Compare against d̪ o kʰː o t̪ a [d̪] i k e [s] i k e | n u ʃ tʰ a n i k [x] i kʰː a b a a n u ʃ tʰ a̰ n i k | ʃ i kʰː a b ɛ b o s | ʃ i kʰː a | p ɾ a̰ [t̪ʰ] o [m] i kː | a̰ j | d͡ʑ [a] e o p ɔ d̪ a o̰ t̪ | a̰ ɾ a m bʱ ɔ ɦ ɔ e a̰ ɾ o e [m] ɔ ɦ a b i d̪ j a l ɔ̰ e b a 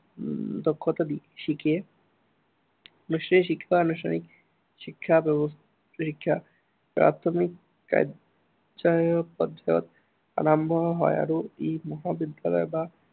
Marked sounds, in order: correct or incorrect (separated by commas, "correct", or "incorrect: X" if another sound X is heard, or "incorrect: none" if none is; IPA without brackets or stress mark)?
correct, incorrect: ʃ, incorrect: ʃ, correct, correct, correct, correct